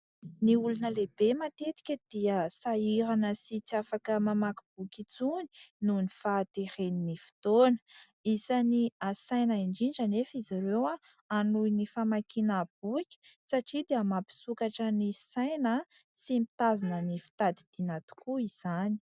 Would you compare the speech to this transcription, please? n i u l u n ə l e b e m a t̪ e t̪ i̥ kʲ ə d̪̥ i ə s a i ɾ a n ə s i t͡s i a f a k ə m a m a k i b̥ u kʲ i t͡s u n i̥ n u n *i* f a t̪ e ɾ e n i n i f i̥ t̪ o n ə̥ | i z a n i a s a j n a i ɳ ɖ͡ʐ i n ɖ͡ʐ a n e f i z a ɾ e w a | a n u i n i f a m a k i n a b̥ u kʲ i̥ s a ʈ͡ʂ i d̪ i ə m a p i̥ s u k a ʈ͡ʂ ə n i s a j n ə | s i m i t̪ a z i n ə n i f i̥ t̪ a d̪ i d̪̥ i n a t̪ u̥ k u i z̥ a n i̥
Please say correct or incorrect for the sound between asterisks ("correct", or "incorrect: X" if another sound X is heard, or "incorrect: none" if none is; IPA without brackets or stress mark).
correct